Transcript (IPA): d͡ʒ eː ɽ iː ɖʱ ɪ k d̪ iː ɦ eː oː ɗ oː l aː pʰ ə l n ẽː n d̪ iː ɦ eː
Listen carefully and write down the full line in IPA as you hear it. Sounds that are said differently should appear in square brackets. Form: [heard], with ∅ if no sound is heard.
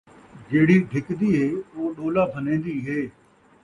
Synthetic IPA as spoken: d͡ʒ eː ɽ iː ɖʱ ɪ k d̪ iː ɦ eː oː ɗ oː l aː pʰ ə [∅] n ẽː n d̪ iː ɦ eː